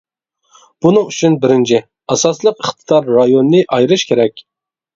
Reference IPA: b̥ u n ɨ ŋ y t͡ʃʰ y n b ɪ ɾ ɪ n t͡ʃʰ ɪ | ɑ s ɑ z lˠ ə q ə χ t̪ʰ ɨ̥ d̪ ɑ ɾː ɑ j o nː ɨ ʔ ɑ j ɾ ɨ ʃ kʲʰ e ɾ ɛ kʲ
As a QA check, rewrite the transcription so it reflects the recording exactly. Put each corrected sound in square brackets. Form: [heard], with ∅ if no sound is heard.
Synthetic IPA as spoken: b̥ u n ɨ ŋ y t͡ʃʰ y n b ɪ ɾ ɪ n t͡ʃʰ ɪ | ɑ s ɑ [s] lˠ ə q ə χ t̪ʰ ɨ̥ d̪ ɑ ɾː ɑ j o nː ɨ ʔ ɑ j ɾ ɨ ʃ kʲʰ e ɾ ɛ kʲ